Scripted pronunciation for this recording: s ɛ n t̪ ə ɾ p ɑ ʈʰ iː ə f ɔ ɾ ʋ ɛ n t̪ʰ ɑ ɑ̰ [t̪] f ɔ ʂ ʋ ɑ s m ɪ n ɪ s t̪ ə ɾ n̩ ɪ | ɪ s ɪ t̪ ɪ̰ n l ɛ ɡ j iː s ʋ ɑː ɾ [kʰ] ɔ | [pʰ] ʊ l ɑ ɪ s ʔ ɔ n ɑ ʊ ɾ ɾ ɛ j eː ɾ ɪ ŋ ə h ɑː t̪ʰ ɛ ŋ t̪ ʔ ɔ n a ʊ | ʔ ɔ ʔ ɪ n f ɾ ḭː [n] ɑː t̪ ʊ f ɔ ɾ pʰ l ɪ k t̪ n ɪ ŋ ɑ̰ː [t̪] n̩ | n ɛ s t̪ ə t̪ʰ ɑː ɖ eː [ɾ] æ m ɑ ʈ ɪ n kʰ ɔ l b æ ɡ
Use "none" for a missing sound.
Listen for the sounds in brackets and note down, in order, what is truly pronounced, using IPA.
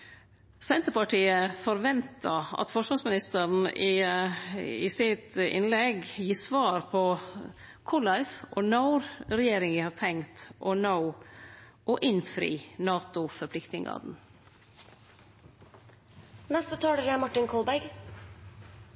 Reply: t̪, pʰ, kʰ, n, d̪, l

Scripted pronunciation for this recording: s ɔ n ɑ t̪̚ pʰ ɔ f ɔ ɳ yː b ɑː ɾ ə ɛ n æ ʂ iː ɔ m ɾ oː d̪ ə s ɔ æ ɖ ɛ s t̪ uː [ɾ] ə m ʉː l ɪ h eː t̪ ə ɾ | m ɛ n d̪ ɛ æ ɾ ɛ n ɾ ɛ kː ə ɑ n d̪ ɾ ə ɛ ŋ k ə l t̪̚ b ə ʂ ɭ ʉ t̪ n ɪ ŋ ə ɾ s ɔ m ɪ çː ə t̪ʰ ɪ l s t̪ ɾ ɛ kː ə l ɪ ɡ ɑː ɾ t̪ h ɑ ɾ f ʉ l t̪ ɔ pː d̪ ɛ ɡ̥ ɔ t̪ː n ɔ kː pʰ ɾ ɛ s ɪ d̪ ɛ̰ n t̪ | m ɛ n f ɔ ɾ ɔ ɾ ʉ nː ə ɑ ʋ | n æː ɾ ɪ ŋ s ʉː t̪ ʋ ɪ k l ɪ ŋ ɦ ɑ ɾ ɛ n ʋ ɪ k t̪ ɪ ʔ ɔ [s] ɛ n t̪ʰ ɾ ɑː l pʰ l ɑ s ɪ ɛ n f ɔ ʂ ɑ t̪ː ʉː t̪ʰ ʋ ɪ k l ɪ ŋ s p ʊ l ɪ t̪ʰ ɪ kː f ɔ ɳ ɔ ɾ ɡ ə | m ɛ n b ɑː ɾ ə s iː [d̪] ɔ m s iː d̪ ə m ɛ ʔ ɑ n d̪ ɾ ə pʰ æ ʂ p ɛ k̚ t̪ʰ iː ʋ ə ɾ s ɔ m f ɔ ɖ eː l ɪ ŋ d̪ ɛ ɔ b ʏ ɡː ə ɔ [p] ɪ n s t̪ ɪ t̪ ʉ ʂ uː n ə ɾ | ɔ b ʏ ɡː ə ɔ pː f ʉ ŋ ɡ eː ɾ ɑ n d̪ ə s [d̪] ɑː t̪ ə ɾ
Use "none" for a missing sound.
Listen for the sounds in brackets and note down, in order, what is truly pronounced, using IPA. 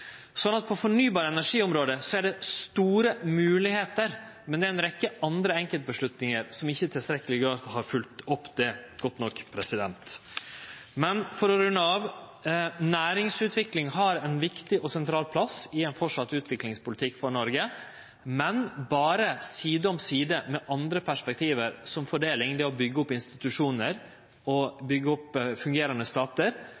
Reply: ɾ, s, d̪, p, t̪

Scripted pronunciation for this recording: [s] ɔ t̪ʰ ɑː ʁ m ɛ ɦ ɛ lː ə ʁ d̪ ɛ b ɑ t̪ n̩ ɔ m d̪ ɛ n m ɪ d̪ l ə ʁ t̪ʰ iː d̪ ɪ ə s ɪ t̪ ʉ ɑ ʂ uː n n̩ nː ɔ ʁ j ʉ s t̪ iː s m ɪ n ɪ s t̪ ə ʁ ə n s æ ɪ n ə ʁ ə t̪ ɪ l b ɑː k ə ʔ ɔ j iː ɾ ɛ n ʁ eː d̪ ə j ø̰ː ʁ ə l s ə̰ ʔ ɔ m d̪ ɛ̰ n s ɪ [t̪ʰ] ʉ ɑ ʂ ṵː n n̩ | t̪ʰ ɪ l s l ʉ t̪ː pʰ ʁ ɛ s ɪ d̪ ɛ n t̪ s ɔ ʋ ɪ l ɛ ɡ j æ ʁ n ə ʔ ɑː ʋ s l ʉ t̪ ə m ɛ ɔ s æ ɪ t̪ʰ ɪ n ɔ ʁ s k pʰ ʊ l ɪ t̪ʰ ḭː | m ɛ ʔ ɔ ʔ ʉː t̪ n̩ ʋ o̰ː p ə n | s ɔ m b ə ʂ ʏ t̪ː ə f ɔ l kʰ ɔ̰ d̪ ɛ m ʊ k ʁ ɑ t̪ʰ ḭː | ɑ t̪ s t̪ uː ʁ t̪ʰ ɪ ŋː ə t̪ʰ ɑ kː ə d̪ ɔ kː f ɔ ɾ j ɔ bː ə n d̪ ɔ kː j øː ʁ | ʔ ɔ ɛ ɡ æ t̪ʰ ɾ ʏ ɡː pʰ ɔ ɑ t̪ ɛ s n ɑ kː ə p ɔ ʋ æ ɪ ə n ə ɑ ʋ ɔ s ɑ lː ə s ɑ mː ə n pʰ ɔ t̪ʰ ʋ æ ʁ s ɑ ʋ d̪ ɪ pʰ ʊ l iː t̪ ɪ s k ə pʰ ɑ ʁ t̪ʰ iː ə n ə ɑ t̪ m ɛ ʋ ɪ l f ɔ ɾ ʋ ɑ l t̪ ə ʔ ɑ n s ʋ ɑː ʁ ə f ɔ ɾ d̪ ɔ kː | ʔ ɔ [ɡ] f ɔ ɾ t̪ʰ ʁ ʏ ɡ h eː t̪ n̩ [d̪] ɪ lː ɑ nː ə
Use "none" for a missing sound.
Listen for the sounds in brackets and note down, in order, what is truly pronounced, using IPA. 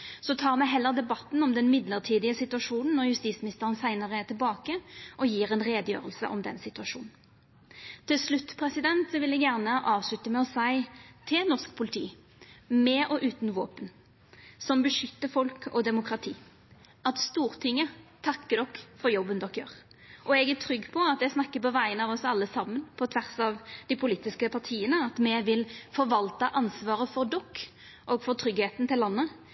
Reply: s, t̪, ɡ, t̪

